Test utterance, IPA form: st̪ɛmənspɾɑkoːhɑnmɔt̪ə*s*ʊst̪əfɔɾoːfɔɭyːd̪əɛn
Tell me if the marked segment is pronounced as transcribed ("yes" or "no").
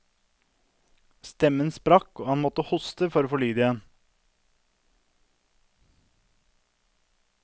no